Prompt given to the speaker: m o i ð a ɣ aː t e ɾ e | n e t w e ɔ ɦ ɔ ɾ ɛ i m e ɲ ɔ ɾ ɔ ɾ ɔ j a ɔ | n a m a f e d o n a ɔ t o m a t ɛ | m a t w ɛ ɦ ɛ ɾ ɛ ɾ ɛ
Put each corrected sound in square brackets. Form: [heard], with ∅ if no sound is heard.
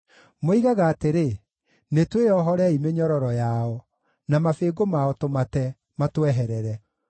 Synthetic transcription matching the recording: m o i [ɣ] a ɣ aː t e ɾ e | n e t w e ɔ ɦ ɔ ɾ ɛ i m e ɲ ɔ ɾ ɔ ɾ ɔ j a ɔ | n a m a f e [ɡ] o [m] a ɔ t o m a t ɛ | m a t w ɛ ɦ ɛ ɾ ɛ ɾ ɛ